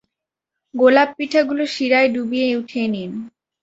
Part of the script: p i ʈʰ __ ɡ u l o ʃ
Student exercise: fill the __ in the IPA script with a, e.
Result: a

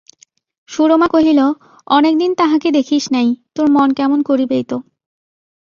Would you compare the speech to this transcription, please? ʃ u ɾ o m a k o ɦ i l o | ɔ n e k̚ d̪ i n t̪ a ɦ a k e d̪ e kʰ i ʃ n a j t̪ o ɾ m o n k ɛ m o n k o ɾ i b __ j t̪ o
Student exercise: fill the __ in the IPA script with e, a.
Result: e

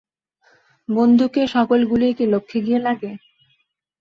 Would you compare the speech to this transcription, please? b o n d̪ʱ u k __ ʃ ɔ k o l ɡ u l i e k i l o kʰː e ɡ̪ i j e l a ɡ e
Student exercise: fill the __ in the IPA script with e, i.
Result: e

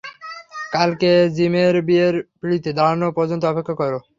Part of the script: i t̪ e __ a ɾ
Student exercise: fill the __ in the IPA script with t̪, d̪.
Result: d̪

